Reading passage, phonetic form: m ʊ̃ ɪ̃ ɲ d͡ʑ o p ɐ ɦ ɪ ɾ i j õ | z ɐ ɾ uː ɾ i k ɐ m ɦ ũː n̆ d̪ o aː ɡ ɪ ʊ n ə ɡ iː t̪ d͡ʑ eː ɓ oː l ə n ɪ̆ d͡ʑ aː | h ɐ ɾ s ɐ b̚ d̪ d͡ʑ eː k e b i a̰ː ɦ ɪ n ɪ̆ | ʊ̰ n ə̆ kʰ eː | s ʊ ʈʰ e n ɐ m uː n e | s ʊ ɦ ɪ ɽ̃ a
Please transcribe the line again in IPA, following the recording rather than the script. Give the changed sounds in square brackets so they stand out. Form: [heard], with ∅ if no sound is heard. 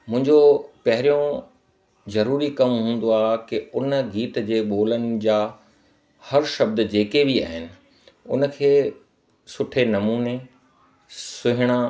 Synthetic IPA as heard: m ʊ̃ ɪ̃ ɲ d͡ʑ o p ɐ ɦ ɪ ɾ i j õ | z ɐ ɾ uː ɾ i k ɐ m ɦ ũː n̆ d̪ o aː [k] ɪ ʊ n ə ɡ iː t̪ d͡ʑ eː ɓ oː l ə n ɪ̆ d͡ʑ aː | h ɐ ɾ [ʃ] ɐ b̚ d̪ d͡ʑ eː k e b i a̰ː ɦ ɪ n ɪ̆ | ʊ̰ n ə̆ kʰ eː | s ʊ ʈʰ e n ɐ m uː n e | s ʊ ɦ ɪ ɽ̃ a